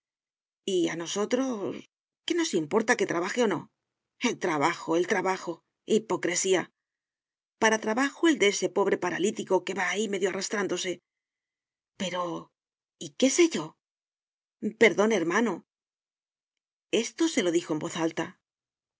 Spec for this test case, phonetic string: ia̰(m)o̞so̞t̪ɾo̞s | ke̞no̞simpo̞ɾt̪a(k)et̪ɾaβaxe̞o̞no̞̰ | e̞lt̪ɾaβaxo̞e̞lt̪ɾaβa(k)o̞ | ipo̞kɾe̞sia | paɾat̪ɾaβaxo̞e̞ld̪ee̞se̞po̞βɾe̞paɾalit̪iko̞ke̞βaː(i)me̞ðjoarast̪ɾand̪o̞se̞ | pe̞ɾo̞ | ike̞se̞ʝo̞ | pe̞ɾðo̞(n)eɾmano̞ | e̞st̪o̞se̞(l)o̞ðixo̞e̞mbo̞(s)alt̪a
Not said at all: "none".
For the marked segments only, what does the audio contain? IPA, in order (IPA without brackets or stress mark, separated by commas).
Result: n, k, x, i, n, l, θ